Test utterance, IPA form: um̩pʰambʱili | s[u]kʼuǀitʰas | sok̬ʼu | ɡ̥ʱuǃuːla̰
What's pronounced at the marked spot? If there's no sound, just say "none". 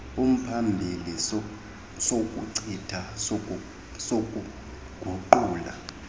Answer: o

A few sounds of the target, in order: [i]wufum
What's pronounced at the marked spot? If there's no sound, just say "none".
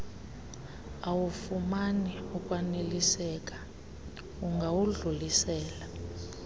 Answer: a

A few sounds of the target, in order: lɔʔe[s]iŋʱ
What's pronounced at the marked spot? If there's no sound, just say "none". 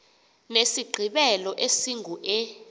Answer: s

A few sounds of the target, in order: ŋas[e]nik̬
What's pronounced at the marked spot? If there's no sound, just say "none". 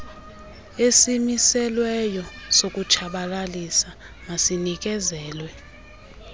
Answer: i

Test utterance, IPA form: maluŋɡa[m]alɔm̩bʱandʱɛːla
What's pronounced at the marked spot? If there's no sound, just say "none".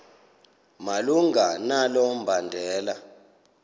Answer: n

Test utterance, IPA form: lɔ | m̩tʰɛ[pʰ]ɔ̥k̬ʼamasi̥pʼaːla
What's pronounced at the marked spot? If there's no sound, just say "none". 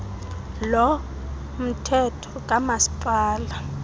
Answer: tʰ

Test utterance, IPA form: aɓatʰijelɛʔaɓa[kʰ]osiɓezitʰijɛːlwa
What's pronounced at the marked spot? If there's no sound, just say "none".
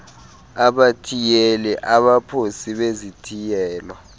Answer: pʰ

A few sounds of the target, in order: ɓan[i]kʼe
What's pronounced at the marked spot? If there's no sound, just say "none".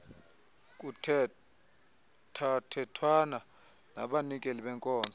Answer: i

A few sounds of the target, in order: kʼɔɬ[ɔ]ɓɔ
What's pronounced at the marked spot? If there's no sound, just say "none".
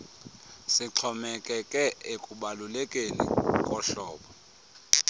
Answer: ɔː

